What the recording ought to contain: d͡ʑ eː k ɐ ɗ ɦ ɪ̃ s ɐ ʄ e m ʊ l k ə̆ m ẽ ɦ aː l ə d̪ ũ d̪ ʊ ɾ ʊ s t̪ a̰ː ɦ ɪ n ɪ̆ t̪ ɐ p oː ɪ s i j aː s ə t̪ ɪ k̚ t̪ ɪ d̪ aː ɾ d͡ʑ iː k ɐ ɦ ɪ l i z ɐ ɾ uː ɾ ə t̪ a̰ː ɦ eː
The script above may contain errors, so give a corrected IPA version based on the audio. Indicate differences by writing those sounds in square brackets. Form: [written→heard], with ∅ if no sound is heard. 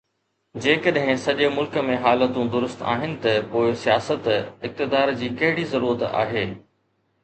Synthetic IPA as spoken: d͡ʑ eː k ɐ ɗ ɦ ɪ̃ s ɐ ʄ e m ʊ l k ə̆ m ẽ ɦ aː l ə [d̪→t̪] ũ d̪ ʊ ɾ ʊ s t̪ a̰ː ɦ ɪ n ɪ̆ t̪ ɐ p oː ɪ s i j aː s ə t̪ ɪ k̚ t̪ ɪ d̪ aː ɾ d͡ʑ iː k ɐ ɦ ɪ [l→ɽ] i z ɐ ɾ uː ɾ ə t̪ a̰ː ɦ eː